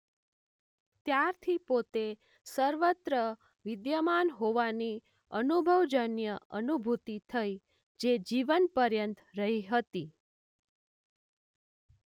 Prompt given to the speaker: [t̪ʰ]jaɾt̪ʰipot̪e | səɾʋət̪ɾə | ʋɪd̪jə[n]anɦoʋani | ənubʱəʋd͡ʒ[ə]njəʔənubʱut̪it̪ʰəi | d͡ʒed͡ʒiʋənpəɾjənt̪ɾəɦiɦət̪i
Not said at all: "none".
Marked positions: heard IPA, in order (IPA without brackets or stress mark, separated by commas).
t̪, m, ə